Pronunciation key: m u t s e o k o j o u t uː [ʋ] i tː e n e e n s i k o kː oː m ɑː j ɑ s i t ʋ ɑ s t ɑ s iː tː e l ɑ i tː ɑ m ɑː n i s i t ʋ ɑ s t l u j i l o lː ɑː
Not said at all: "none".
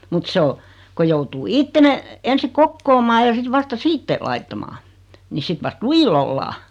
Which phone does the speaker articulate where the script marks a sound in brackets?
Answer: none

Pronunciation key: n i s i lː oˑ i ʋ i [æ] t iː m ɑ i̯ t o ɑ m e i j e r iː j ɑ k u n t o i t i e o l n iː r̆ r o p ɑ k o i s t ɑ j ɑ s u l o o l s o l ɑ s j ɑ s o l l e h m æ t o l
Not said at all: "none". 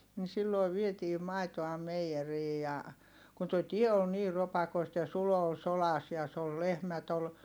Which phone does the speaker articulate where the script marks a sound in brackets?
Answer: e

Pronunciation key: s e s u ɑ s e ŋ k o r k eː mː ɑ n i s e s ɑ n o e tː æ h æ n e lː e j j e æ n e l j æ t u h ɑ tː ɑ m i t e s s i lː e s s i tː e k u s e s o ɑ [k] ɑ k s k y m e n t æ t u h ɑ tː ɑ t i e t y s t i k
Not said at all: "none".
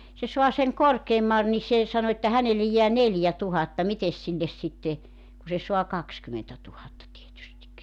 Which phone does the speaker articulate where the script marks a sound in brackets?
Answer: k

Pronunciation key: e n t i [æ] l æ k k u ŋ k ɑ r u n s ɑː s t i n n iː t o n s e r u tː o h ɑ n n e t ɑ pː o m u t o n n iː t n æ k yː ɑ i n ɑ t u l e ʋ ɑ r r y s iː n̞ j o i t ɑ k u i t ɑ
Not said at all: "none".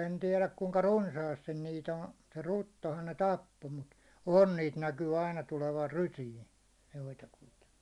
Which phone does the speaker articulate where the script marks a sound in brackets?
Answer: ɛ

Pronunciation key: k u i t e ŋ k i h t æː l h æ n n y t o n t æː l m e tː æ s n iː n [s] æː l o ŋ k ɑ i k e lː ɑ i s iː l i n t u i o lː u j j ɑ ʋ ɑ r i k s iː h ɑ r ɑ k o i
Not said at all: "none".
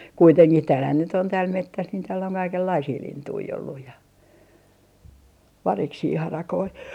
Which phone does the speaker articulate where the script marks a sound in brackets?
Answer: t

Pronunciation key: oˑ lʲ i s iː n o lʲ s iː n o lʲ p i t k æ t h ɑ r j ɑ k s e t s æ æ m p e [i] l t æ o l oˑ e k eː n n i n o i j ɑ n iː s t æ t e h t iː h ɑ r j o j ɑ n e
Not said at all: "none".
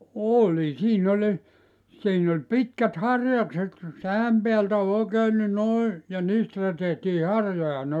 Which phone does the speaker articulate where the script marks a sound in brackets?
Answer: æ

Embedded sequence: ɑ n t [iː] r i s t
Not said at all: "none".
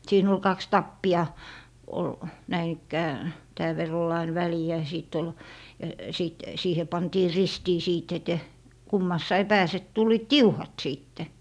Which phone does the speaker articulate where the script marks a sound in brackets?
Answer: iː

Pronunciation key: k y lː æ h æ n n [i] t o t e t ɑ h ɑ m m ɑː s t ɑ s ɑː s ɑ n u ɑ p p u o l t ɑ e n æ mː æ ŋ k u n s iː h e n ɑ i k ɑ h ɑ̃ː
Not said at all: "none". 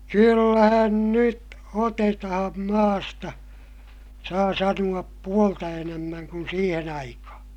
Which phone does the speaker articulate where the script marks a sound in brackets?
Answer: y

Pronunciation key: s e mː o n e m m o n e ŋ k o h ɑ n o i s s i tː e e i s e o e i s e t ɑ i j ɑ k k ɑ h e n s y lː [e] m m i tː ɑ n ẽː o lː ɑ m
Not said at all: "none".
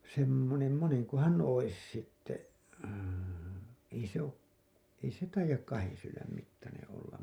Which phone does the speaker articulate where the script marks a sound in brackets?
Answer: æ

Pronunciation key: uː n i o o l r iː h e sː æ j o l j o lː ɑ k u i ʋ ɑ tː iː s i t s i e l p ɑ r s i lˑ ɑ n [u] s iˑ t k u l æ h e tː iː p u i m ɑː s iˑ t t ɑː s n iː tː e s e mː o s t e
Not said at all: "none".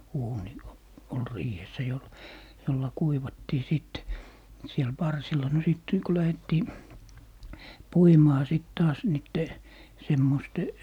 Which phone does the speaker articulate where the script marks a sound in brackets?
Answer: o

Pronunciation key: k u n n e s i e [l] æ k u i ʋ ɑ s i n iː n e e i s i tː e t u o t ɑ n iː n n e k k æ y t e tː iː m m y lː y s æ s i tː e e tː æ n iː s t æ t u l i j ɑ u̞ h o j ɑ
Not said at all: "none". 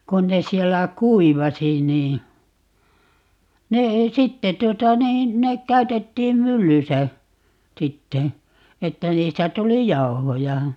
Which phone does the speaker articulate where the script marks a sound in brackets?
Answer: lː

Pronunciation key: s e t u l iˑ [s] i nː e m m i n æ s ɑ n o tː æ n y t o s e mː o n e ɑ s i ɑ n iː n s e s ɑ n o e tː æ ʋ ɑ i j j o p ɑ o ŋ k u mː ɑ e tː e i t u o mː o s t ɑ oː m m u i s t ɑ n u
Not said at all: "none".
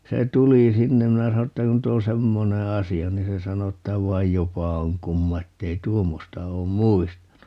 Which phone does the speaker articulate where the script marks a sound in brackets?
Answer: s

